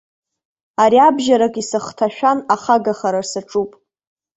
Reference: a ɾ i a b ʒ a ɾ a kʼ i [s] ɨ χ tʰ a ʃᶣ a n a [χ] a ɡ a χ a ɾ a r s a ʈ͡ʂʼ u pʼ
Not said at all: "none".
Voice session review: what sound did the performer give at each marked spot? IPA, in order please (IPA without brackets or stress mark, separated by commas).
s, χ